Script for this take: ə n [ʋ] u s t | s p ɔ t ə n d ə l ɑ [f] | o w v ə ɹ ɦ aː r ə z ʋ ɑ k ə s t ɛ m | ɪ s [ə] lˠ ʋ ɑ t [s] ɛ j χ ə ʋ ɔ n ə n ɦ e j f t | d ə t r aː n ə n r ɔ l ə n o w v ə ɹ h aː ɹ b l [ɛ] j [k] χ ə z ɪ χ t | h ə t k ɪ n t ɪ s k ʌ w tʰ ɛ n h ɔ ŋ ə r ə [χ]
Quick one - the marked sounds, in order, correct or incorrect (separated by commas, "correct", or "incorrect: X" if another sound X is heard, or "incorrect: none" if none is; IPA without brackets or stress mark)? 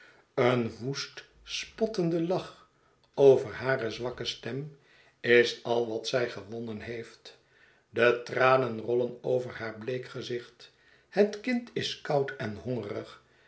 correct, incorrect: χ, incorrect: ɑ, correct, incorrect: e, correct, correct